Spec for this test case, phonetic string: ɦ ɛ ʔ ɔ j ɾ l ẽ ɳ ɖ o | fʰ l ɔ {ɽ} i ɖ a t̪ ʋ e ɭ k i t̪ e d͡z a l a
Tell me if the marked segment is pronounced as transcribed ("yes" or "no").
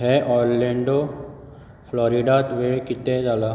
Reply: no